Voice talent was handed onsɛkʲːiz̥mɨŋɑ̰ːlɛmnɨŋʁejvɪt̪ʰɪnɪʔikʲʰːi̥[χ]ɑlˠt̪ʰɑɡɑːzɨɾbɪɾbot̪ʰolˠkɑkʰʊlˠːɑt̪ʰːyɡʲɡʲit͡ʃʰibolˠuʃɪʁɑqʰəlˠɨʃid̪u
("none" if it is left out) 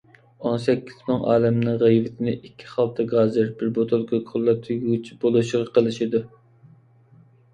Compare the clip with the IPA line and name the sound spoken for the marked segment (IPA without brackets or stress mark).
χ